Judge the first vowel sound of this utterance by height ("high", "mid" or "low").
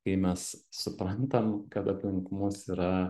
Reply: low